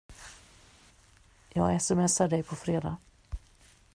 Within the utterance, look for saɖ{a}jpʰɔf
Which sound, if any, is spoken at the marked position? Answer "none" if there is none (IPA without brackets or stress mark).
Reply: ɛ